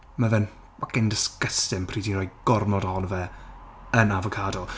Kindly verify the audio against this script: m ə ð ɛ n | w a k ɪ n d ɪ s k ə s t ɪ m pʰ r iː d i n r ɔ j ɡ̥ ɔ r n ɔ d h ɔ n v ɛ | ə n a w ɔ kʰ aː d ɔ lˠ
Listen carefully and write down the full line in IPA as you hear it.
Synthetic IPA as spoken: m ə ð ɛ n | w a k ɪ n d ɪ s k ə s t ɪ m pʰ r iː d i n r ɔ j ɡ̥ ɔ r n ɔ d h ɔ n v ɛ | ə n a v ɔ kʰ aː d ɔ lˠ